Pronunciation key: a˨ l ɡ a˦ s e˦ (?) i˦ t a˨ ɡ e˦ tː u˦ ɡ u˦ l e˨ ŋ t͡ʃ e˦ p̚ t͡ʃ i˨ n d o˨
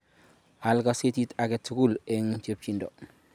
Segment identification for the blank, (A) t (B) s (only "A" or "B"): A